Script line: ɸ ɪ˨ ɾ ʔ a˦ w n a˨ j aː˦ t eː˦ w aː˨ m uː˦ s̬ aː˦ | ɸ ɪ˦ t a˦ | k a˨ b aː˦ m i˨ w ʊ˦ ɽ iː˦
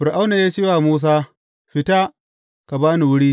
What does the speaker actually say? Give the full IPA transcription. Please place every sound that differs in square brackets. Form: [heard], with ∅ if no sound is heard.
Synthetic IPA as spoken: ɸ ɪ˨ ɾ ʔ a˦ w n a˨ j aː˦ [t͡ʃ] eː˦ w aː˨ m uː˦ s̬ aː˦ | ɸ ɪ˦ t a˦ | k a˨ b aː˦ [n] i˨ w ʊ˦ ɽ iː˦